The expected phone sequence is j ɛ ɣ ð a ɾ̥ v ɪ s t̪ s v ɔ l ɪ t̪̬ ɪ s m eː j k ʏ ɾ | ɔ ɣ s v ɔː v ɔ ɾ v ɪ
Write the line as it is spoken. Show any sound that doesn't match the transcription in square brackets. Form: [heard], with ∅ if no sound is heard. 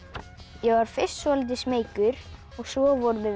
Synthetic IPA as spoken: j ɛ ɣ [v] a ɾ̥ [f] ɪ s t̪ s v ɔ l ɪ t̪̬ ɪ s m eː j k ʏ ɾ | ɔ ɣ s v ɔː v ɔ ɾ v ɪ